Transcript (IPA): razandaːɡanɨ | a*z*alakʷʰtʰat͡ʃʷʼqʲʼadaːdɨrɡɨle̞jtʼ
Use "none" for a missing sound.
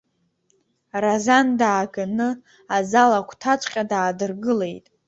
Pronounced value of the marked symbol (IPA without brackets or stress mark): z